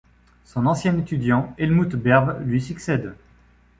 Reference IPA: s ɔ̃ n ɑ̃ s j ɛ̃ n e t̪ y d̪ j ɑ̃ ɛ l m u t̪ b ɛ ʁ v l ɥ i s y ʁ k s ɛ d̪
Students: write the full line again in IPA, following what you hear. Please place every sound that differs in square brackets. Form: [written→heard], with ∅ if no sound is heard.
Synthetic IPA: s ɔ̃ n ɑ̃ s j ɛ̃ n e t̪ y d̪ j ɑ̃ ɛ l m u t̪ b ɛ ʁ v l ɥ i s y [ʁ→∅] k s ɛ d̪

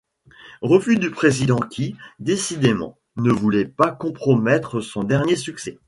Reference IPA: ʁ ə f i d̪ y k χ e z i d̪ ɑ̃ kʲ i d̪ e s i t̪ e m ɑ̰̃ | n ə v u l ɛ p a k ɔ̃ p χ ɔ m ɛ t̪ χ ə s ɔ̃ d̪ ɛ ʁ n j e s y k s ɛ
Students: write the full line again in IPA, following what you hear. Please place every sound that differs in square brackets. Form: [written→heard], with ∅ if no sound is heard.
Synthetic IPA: ʁ ə f [i→y] d̪ y [k→p] χ e z i d̪ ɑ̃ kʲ i d̪ e s i [t̪→d̪] e m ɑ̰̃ | n ə v u l ɛ p a k ɔ̃ p χ ɔ m ɛ t̪ χ ə s ɔ̃ d̪ ɛ ʁ n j e s y k s ɛ

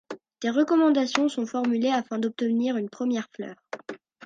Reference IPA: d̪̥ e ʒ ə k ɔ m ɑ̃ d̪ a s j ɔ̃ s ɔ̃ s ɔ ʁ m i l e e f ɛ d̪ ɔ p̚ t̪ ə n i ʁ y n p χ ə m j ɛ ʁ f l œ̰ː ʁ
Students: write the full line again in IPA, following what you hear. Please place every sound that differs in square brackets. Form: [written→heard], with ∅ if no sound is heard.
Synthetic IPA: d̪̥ e [ʒ→ʁ] ə k ɔ m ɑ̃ d̪ a s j ɔ̃ s ɔ̃ [s→f] ɔ ʁ m [i→y] l e [e→a] f [ɛ→ɛ̃] d̪ ɔ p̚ t̪ ə n i ʁ y n p χ ə m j ɛ ʁ f l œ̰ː ʁ

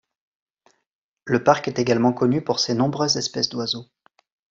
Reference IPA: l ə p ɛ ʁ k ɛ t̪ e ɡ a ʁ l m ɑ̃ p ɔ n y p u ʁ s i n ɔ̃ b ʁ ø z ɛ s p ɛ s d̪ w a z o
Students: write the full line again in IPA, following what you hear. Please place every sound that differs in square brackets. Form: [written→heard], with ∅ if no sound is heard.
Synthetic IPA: l ə p [ɛ→a] ʁ k ɛ t̪ e ɡ a [ʁ→∅] l m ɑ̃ [p→k] ɔ n y p u ʁ s [i→e] n ɔ̃ b ʁ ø z ɛ s p ɛ s d̪ w a z o

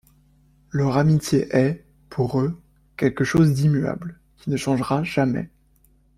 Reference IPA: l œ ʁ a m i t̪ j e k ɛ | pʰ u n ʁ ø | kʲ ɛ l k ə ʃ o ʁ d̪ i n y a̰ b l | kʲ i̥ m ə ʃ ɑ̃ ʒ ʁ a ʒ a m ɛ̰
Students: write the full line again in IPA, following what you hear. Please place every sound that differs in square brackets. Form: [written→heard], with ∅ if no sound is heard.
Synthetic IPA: l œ ʁ a m i t̪ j e [k→ʔ] ɛ | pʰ u [n→∅] ʁ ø | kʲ ɛ l k ə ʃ o [ʁ→z] d̪ i [n→m] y a̰ b l | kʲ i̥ [m→n] ə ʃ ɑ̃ ʒ ʁ a ʒ a m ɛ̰

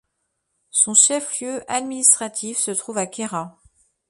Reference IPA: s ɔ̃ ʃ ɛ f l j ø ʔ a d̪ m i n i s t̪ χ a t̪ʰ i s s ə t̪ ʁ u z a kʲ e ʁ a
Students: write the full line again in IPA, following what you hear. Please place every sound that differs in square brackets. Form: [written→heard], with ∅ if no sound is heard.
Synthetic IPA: s ɔ̃ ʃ ɛ f l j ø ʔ a d̪ m i n i s t̪ χ a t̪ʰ i [s→f] s ə t̪ [ʁ→χ] u [z→v] a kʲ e ʁ a

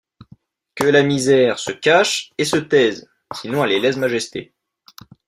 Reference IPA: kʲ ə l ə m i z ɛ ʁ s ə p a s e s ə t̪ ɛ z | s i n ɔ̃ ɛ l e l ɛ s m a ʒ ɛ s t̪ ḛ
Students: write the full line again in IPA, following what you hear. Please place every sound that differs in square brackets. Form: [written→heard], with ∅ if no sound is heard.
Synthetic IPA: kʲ ə l [ə→a] m i z ɛ ʁ s ə [p→k] a [s→ʃ] e s ə t̪ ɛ z | s i n ɔ̃ ɛ l e l ɛ s m a ʒ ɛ s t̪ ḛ

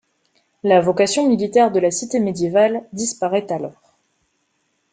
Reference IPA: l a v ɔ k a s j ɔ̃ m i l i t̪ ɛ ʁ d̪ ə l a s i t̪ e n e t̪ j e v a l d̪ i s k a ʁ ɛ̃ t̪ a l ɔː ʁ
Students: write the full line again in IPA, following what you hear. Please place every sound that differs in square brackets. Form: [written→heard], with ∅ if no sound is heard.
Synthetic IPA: l a v ɔ k a s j ɔ̃ m i l i t̪ ɛ ʁ d̪ ə l a s i t̪ e [n→m] e [t̪→d̪] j e v a l d̪ i s [k→p] a ʁ [ɛ̃→ɛ] t̪ a l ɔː ʁ

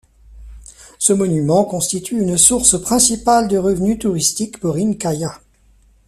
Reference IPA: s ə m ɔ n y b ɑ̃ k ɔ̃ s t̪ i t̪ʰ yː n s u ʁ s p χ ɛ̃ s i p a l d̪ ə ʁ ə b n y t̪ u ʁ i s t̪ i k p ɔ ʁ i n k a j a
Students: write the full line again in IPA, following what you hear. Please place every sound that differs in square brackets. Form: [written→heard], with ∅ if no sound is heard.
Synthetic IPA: s ə m ɔ n y [b→m] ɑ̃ k ɔ̃ s t̪ i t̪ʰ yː n s u ʁ s p χ ɛ̃ s i p a l d̪ ə ʁ ə [b→v] n y t̪ u ʁ i s t̪ i k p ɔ ʁ i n k a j a

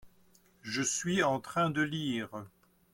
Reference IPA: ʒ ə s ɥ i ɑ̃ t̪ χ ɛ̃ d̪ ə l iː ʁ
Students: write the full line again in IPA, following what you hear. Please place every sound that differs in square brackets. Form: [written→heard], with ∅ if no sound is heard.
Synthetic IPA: ʒ ə s ɥ i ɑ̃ t̪ χ ɛ̃ d̪ ə l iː ʁ

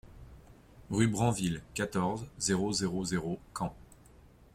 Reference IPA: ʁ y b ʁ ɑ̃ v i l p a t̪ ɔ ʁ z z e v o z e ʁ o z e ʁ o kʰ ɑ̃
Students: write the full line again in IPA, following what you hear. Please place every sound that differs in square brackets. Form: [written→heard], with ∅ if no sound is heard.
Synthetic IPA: ʁ y b ʁ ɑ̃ v i l [p→k] a t̪ ɔ ʁ z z e [v→ʁ] o z e ʁ o z e ʁ o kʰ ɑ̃

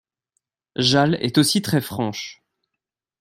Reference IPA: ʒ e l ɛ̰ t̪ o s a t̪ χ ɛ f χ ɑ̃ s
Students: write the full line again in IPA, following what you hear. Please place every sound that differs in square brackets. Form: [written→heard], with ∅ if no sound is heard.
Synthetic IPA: ʒ [e→a] l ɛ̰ t̪ o s [a→i] t̪ χ ɛ f χ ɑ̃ [s→ʃ]

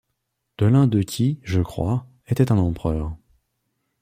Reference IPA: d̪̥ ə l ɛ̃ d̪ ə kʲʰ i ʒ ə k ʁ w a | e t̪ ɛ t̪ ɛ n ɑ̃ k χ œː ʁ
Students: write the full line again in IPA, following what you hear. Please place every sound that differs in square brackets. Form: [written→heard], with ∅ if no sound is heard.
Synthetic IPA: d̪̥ ə l ɛ̃ d̪ ə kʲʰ i ʒ ə k [ʁ→χ] w a | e t̪ ɛ t̪ [ɛ→ɛ̃] n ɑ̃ [k→p] χ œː ʁ

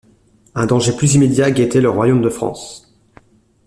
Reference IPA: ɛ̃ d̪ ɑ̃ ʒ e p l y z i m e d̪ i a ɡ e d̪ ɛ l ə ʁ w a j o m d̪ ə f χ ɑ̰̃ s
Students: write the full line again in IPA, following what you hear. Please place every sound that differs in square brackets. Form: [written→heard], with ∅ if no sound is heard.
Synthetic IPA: ɛ̃ d̪ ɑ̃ ʒ e p l y z i m e d̪ [i→j] a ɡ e [d̪→t̪] ɛ l ə ʁ w a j o m d̪ ə f χ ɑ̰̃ s

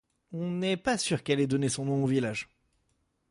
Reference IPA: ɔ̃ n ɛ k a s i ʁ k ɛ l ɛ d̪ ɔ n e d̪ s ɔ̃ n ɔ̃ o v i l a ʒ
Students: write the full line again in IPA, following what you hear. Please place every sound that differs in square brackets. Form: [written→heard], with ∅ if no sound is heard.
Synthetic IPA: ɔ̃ n ɛ [k→p] a s [i→y] ʁ k ɛ l ɛ d̪ ɔ n e [d̪→∅] s ɔ̃ n ɔ̃ o v i l a ʒ

